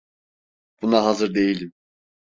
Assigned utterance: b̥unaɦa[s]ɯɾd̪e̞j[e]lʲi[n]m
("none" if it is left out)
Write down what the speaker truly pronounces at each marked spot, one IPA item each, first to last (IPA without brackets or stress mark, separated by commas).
z, i, none